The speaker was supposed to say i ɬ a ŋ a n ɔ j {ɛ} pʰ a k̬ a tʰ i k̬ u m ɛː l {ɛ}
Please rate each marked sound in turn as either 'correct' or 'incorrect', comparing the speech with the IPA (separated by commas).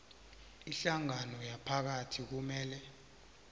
incorrect, correct